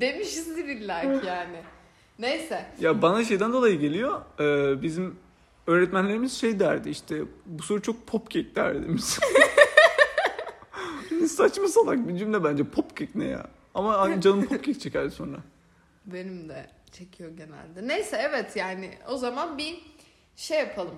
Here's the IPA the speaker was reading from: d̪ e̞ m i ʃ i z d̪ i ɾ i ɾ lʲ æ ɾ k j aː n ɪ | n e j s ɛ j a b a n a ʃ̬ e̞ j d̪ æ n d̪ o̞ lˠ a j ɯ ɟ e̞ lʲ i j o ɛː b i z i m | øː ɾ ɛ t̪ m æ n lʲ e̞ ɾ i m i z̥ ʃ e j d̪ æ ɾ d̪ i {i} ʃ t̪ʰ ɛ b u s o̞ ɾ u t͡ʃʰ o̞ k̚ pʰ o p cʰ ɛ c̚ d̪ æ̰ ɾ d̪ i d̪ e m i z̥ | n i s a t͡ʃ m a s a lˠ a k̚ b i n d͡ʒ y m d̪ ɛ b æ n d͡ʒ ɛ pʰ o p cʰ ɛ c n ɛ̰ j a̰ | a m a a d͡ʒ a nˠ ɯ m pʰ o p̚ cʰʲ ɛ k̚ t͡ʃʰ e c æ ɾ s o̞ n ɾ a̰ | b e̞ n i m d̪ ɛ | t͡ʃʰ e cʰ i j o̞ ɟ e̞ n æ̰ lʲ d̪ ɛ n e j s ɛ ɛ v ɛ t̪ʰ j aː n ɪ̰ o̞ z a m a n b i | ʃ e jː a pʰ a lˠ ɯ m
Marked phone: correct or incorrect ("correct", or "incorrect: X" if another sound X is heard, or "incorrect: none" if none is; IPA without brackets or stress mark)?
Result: correct